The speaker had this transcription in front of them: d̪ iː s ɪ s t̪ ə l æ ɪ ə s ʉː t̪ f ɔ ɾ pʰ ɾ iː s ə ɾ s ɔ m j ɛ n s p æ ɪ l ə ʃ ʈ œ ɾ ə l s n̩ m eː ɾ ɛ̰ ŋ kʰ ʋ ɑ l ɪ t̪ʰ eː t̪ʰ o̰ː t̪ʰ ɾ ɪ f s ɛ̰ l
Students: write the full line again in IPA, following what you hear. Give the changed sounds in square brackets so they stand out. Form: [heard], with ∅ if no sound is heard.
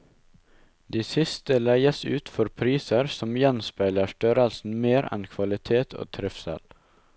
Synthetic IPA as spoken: d̪ iː s ɪ s t̪ ə l æ ɪ ə s ʉː t̪ f ɔ ɾ pʰ ɾ iː s ə ɾ s ɔ m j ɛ n s p æ ɪ l ə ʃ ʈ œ ɾ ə l s n̩ m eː ɾ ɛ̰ [n] kʰ ʋ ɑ l ɪ t̪ʰ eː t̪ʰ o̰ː t̪ʰ ɾ ɪ f s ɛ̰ l